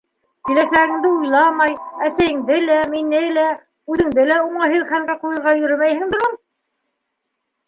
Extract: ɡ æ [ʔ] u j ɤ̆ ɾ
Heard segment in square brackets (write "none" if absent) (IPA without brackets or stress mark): q